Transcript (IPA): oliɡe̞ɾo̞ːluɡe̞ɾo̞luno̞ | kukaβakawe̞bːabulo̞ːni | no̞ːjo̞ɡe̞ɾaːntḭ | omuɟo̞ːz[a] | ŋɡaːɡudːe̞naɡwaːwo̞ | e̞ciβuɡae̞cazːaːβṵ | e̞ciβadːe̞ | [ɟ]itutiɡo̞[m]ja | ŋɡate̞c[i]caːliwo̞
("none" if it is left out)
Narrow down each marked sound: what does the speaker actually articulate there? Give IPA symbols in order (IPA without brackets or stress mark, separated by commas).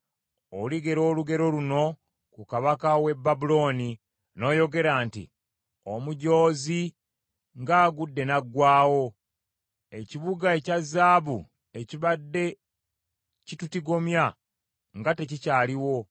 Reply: i, c, m, i